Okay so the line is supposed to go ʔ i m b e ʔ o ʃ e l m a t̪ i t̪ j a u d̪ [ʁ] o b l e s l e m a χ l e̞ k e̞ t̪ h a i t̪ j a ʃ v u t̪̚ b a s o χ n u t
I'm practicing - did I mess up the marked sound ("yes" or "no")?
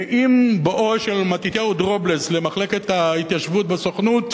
no